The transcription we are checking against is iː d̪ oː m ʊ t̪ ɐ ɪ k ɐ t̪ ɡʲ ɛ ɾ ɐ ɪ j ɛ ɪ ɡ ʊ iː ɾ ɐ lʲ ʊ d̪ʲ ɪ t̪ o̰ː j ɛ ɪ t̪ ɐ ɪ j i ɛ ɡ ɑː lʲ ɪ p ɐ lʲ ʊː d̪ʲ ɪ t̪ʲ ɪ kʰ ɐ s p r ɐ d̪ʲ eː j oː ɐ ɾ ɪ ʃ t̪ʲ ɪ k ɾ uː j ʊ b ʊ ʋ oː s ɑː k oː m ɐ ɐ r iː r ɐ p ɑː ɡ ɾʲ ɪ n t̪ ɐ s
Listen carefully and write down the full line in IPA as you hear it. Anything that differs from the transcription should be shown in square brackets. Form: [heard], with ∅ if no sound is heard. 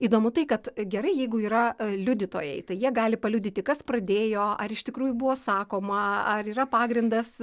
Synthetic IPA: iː d̪ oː m ʊ t̪ ɐ ɪ k ɐ t̪ ɡʲ ɛ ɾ ɐ ɪ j ɛ ɪ ɡ ʊ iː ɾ ɐ lʲ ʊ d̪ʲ ɪ t̪ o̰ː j ɛ ɪ t̪ ɐ ɪ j i ɛ ɡ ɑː lʲ ɪ p ɐ lʲ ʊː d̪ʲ ɪ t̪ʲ ɪ [k] ɐ s p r ɐ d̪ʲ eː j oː ɐ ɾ ɪ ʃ t̪ʲ ɪ k ɾ uː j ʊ b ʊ ʋ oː s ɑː k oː m ɐ ɐ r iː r ɐ p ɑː ɡ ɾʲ ɪ n [d̪] ɐ s